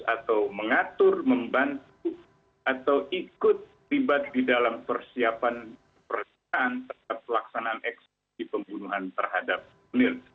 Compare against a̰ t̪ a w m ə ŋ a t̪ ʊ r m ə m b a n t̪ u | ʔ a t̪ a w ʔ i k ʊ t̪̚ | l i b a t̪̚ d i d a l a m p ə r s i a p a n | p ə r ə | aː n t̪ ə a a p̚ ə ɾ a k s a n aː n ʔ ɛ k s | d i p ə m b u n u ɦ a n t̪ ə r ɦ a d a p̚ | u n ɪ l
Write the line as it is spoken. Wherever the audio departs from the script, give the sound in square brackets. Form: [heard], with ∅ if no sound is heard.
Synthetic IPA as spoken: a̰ t̪ a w m ə ŋ a t̪ ʊ r m ə m b a n t̪ u | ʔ a t̪ a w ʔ i k ʊ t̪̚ | l i b a t̪̚ d i d a l a m p ə r s i a p a n | p ə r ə | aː n t̪ ə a a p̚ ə [l] a k s a n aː n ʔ ɛ k s | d i p ə m b u n u ɦ a n t̪ ə r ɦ a d a p̚ | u n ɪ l

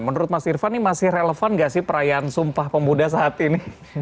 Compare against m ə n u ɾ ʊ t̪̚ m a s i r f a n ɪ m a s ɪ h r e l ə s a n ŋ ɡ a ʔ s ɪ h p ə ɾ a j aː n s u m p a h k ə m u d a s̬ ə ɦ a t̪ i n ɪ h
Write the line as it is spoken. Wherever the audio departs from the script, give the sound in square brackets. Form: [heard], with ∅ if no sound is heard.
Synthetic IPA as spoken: m ə n u ɾ ʊ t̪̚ m a s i r f a n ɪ m a s ɪ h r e l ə [f] a n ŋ ɡ a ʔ s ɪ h p ə ɾ a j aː n s u m p a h [p] ə m u d a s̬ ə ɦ a t̪ i n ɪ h

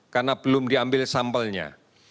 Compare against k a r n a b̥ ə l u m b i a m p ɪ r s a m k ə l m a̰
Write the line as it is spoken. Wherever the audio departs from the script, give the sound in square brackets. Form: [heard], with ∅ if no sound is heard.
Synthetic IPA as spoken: k a r n a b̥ ə l [ʊ] m [d] i a m [b] ɪ [l] s a m [p] ə l [ɲ] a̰

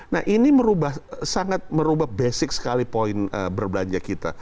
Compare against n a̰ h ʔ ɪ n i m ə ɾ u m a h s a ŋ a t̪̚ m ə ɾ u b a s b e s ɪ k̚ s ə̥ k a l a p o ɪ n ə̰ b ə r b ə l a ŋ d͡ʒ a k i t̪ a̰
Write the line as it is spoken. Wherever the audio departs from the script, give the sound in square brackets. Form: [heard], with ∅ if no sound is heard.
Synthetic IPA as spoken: n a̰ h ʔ [i] n i m ə ɾ u [b] a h s a ŋ a t̪̚ m ə ɾ u b a [h] b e s ɪ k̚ s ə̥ k a l [i] p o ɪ n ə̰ b ə r b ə l a [ɲ] d͡ʒ a k i t̪ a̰

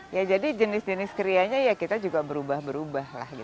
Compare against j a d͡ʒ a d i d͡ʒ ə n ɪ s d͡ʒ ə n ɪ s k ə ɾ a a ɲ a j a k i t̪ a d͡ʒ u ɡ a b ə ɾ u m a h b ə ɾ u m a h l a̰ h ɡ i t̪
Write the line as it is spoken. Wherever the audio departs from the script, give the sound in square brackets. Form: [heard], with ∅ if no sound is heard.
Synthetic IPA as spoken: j a d͡ʒ a d i d͡ʒ ə n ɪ s d͡ʒ ə n ɪ s k ə ɾ [i] a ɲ a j a k i t̪ a d͡ʒ u ɡ a b ə ɾ u [b] a h b ə ɾ u [b] a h l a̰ h ɡ i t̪

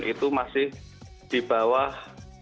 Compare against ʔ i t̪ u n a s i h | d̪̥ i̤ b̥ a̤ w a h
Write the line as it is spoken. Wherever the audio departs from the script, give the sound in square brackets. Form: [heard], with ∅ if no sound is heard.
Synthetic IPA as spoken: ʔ i t̪ u [m] a s [ɪ] h | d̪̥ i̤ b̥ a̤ w a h

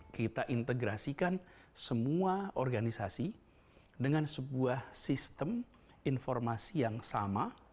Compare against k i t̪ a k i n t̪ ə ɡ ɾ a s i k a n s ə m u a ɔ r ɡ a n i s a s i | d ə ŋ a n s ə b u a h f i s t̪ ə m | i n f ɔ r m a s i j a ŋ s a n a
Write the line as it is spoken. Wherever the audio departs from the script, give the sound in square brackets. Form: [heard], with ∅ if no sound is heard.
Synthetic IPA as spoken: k i t̪ a [ʔ] i n t̪ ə ɡ ɾ a s i k a n s ə m u a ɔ r ɡ a n i s a s i | d ə ŋ a n s ə b u a h [s] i s t̪ ə m | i n f ɔ r m a s i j a ŋ s a [m] a

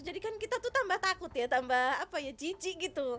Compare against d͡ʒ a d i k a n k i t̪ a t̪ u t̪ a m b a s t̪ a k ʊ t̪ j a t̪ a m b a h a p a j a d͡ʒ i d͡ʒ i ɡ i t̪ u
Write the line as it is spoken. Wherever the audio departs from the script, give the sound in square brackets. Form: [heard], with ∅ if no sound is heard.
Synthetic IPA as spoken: d͡ʒ a d i k a n k i t̪ a t̪ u t̪ a m b a [h] t̪ a k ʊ t̪ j a t̪ a m b a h a p a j a d͡ʒ i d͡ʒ i ɡ i t̪ u

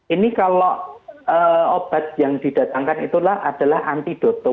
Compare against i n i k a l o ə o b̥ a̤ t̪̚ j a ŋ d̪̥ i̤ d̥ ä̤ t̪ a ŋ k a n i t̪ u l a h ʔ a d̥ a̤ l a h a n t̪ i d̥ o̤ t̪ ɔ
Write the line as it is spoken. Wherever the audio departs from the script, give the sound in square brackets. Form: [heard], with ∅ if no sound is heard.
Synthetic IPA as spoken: i n i k a l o ə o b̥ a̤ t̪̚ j a ŋ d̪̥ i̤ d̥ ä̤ t̪ a ŋ k a n i t̪ u l a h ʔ a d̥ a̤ l a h a n t̪ i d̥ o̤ t̪ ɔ

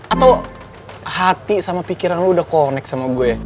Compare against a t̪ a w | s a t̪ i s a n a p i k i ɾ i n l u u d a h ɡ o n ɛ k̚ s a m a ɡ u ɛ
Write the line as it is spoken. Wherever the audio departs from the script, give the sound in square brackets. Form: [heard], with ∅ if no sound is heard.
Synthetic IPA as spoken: a t̪ a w | [h] a t̪ i s a [m] a p i k i ɾ [a] n l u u d a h [k] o n ɛ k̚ s a m a ɡ u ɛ

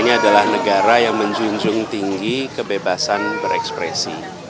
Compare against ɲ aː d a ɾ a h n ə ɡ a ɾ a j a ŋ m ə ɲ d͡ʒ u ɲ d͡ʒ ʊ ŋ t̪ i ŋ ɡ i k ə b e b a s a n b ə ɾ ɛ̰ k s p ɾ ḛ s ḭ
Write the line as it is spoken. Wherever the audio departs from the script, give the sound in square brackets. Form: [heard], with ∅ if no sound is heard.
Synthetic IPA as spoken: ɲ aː d a [l] a h n ə ɡ a ɾ a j a ŋ m ə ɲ d͡ʒ u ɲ d͡ʒ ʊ ŋ t̪ i ŋ ɡ i k ə b e b a s a n b ə ɾ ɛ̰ k s p ɾ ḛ s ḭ

